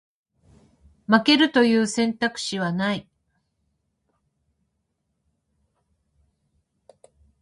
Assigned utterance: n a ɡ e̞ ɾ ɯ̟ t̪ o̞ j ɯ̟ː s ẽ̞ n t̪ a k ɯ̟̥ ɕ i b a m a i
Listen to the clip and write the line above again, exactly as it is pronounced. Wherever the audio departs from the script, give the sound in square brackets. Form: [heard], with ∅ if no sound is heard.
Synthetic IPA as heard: [m] a [k] e̞ ɾ ɯ̟ t̪ o̞ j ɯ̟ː s ẽ̞ n t̪ a k ɯ̟̥ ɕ i [β] a [n] a i